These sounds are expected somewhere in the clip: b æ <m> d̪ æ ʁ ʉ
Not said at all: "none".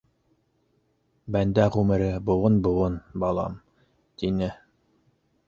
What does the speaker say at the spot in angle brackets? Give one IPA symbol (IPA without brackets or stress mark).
n